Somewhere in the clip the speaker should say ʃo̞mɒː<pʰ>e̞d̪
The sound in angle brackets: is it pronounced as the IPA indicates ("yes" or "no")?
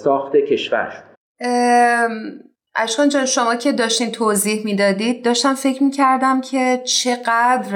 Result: no